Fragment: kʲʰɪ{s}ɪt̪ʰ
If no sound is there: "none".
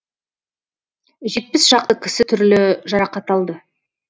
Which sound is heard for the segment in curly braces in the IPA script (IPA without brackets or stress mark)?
s